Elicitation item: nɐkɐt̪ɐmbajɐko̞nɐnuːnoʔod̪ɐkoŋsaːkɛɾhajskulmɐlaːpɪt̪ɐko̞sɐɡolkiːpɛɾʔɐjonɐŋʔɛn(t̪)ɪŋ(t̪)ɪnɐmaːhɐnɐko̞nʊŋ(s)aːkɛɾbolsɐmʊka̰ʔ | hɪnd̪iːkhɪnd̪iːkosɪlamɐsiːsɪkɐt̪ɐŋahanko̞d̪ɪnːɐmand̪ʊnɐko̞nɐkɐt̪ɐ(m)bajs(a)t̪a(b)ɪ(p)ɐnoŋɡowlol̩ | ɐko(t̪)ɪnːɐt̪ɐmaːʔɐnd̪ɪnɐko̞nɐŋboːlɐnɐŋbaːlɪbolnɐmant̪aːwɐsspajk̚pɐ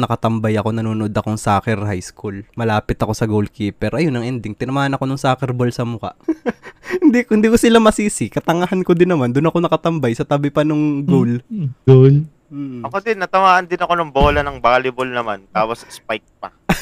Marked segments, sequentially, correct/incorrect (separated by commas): incorrect, correct, correct, correct, incorrect, correct, correct, incorrect